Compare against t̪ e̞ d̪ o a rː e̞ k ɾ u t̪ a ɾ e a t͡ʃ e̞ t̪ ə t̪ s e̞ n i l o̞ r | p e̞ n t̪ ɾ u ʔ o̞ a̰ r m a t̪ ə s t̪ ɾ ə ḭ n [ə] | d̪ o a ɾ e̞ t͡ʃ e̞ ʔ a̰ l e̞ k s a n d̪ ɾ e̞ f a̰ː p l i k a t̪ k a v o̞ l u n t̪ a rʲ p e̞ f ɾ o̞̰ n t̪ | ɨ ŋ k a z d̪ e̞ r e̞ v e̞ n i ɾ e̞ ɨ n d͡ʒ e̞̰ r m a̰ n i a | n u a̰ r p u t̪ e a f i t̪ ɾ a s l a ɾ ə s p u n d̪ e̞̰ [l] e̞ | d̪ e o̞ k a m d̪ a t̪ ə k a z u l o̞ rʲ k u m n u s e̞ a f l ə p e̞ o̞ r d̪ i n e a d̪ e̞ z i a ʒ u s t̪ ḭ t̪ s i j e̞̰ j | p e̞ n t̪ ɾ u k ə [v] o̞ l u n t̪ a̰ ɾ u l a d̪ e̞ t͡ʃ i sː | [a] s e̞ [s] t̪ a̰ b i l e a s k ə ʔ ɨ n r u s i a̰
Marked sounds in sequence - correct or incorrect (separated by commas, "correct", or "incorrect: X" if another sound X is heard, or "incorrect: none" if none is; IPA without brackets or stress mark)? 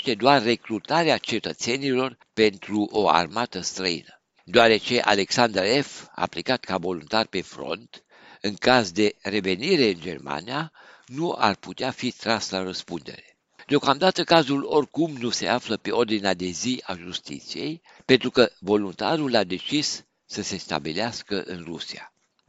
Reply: correct, incorrect: ɾ, correct, incorrect: ə, correct